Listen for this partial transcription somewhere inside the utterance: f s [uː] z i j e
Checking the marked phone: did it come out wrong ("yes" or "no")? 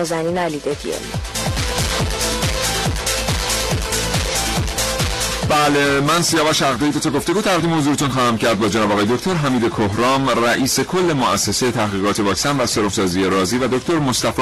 yes